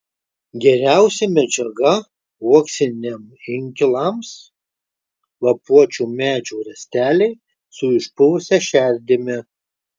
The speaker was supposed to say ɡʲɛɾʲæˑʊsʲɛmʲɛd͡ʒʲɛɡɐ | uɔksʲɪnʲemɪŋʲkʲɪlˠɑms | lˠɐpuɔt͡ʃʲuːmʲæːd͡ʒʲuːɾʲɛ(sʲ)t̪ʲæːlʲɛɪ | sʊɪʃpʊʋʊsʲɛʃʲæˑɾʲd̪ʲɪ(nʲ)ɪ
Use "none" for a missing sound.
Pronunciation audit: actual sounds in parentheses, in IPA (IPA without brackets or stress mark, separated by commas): sʲ, mʲ